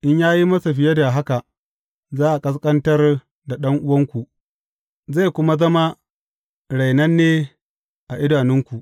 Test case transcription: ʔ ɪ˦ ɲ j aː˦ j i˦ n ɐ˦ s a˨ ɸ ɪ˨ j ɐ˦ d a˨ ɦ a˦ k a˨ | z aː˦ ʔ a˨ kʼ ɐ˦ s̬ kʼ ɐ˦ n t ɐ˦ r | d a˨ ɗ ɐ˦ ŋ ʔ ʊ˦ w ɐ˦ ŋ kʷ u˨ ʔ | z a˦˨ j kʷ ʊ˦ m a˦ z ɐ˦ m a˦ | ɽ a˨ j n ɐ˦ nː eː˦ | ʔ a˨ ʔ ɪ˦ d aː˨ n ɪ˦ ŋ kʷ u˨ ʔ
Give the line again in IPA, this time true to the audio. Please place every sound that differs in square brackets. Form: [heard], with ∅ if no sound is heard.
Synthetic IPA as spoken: ʔ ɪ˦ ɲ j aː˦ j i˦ [m] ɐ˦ s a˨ ɸ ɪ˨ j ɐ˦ d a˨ ɦ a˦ k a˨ | z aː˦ ʔ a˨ kʼ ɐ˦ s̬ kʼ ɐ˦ n t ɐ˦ r | d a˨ ɗ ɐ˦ ŋ ʔ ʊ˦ w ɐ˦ ŋ kʷ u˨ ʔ | z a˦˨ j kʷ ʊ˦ m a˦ z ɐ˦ m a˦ | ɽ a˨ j n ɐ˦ nː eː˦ | ʔ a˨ ʔ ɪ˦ d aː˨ n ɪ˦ ŋ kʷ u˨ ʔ